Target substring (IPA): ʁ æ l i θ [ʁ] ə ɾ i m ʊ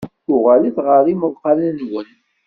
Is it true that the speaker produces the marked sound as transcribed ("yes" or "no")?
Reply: yes